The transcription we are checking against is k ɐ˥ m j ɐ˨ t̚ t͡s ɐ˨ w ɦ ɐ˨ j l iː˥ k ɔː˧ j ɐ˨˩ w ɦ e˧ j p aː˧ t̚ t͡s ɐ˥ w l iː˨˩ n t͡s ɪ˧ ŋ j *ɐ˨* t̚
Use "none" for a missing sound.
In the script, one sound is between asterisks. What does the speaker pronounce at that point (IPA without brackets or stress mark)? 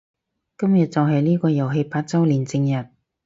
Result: ɐ˨